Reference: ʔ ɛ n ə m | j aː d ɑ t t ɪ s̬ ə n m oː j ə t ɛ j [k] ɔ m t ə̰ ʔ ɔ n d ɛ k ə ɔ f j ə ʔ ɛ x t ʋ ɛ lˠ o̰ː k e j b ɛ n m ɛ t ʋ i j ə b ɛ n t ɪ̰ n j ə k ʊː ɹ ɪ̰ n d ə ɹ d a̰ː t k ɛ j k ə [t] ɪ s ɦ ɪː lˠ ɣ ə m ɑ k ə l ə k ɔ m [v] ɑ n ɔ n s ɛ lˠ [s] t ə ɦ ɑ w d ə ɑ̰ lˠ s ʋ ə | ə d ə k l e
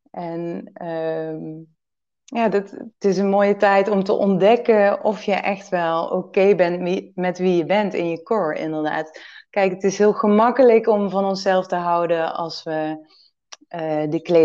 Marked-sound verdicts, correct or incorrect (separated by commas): incorrect, correct, correct, incorrect